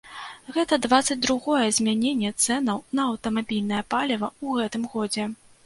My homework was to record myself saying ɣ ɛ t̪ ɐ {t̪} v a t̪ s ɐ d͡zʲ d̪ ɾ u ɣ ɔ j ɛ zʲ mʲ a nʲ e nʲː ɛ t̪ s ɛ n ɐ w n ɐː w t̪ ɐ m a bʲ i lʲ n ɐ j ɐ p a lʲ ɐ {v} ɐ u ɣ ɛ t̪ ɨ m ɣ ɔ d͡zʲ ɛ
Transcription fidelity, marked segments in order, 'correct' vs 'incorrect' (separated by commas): incorrect, correct